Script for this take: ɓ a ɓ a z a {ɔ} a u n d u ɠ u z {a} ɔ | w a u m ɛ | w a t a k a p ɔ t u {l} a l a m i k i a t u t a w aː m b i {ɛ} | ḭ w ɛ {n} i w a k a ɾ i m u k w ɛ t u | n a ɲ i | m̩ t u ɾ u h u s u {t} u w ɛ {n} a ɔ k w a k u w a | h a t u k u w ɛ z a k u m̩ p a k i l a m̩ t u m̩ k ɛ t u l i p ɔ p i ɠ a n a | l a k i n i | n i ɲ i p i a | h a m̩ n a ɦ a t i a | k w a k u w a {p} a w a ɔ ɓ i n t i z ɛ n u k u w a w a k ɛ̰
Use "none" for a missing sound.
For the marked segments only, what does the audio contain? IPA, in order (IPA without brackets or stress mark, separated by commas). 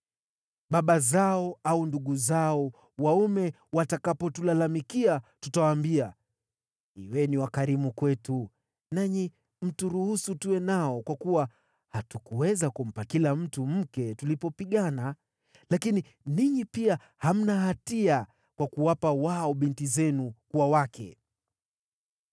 ɔ, a, l, a, n, t, n, p